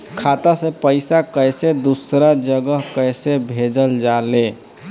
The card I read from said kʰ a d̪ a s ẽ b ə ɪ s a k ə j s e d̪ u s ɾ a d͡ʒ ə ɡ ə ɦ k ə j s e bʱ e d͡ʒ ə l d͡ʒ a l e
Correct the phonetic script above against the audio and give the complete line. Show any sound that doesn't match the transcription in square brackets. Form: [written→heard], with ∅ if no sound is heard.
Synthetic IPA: kʰ a [d̪→t̪] a s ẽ [b→p] ə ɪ s a k ə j s e d̪ u s ɾ a d͡ʒ ə ɡ ə ɦ k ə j s e bʱ e d͡ʒ ə l d͡ʒ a l e

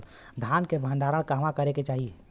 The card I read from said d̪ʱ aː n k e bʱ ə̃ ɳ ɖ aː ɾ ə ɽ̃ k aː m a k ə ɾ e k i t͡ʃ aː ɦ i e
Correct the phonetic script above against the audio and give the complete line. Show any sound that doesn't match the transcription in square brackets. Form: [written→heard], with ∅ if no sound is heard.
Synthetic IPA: d̪ʱ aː n k e bʱ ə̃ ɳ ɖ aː ɾ ə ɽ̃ k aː m a k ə ɾ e k [i→e] t͡ʃ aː ɦ i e

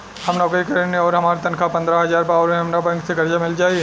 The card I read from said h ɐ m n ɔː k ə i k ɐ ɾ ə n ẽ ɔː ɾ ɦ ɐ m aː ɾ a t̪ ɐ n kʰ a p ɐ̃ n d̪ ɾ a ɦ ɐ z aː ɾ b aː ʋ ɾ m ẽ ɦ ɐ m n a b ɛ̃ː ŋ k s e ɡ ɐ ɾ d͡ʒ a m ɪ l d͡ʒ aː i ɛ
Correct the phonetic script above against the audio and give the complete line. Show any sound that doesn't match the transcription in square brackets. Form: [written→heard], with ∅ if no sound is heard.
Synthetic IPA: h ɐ m n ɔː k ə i k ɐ ɾ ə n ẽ ɔː ɾ ɦ ɐ m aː ɾ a t̪ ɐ n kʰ a p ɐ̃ n d̪ ɾ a ɦ ɐ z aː ɾ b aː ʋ ɾ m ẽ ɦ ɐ m n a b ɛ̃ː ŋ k s e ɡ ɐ ɾ d͡ʒ a m ɪ l d͡ʒ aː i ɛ

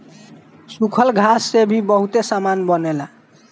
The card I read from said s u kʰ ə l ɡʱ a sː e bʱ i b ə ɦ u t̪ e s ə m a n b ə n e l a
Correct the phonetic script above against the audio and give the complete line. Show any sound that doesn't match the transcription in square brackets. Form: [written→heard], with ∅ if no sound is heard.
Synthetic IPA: s u kʰ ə l ɡʱ a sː e bʱ i b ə ɦ u t̪ e s [ə→a] m a n b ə n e l a

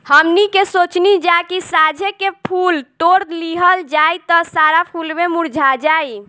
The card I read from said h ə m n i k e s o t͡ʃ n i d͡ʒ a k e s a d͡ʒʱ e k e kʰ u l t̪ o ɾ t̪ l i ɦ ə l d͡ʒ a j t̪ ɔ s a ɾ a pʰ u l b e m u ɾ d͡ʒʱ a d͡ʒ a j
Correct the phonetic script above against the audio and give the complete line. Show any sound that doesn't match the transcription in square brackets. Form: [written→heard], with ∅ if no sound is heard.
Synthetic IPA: h ə m n i k e s o t͡ʃ n i d͡ʒ a k [e→i] s a d͡ʒʱ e k e [kʰ→pʰ] u l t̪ o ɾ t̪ l i ɦ ə l d͡ʒ a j t̪ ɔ s a ɾ a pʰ u l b e m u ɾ d͡ʒʱ a d͡ʒ a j

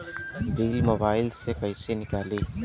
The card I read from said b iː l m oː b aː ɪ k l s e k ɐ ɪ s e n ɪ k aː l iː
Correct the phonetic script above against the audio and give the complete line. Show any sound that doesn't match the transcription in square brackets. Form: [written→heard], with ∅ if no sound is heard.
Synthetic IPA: b iː l m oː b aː ɪ [k→∅] l s e k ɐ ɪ s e n ɪ k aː l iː

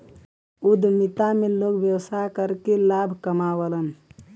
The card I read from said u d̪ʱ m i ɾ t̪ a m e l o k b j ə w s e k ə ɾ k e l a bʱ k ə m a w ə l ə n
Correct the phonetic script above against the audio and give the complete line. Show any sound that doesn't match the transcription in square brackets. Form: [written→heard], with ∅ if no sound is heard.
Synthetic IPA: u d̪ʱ m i [ɾ→∅] t̪ a m e l o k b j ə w s [e→a] k ə ɾ k e l a bʱ k ə m a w ə l ə n

